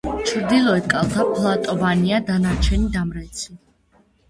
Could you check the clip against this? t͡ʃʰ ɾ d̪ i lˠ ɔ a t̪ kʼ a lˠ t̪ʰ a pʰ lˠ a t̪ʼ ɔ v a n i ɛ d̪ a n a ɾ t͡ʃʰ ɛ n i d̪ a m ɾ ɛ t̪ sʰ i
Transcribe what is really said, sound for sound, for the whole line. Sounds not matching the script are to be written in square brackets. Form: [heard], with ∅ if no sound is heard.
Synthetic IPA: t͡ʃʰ ɾ d̪ i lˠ ɔ [ɛ] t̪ kʼ a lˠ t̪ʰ a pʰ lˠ a t̪ʼ ɔ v a n i [a] d̪ a n a ɾ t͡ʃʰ ɛ n i d̪ a m ɾ ɛ t̪ sʰ i